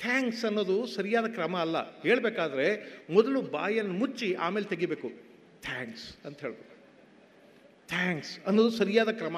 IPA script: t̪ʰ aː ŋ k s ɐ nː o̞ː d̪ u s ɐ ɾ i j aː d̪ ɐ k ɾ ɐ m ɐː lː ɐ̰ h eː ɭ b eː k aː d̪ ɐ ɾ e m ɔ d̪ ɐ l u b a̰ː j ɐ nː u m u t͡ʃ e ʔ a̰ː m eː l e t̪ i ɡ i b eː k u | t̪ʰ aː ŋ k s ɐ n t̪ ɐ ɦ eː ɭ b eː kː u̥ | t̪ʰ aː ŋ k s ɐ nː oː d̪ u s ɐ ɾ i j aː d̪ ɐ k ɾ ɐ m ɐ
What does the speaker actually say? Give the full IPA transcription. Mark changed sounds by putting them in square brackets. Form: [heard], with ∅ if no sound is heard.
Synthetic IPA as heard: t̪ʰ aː ŋ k s ɐ nː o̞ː d̪ u s ɐ ɾ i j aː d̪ ɐ k ɾ ɐ m ɐː lː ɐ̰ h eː ɭ b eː k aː d̪ ɐ ɾ e m ɔ d̪ ɐ l u b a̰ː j ɐ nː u m u t͡ʃ [i] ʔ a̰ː m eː l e t̪ [e] ɡ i b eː k u | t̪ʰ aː ŋ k s ɐ n t̪ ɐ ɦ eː ɭ b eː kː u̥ | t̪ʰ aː ŋ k s ɐ nː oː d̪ u s ɐ ɾ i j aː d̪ ɐ k ɾ ɐ m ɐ